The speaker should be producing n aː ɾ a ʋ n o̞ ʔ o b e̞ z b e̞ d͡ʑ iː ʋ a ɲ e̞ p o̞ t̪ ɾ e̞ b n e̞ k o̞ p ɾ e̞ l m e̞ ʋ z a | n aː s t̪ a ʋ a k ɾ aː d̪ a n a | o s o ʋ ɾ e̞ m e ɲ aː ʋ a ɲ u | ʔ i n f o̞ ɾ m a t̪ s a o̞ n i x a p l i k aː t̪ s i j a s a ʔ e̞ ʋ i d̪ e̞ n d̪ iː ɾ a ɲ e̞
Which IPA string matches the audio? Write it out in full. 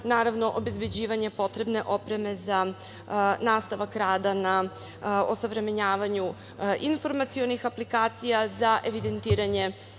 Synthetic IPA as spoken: n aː ɾ a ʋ n o̞ ʔ o b e̞ z b e̞ d͡ʑ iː ʋ a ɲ e̞ p o̞ t̪ ɾ e̞ b n e̞ ʔ o̞ p ɾ e̞ m e̞ z a | n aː s t̪ a ʋ a k ɾ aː d̪ a n a | o s o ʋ ɾ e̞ m e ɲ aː ʋ a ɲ u | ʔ i n f o̞ ɾ m a t̪ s i o̞ n i x a p l i k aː t̪ s i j a z a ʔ e̞ ʋ i d̪ e̞ n t̪ iː ɾ a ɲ e̞